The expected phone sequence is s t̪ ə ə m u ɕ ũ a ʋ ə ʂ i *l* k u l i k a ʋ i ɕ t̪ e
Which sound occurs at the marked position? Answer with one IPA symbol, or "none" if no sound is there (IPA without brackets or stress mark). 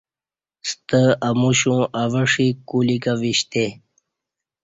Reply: none